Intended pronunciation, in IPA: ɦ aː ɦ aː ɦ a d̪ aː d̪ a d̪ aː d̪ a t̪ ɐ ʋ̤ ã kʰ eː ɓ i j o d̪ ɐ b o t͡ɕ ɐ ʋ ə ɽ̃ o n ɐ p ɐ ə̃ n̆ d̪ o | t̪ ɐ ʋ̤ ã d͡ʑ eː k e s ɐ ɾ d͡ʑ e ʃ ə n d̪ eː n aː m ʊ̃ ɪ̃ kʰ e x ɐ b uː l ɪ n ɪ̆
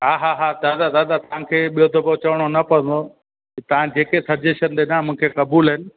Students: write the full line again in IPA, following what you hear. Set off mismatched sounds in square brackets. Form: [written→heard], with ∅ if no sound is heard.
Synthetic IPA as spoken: ɦ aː ɦ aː ɦ a d̪ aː d̪ a d̪ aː d̪ a t̪ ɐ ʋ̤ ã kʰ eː ɓ i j o d̪ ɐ b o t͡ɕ ɐ ʋ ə ɽ̃ o n ɐ p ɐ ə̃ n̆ d̪ o | t̪ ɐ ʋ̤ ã d͡ʑ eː k e s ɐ ɾ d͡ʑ e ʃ ə n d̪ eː n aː m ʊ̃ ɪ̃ kʰ e [x→k] ɐ b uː l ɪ n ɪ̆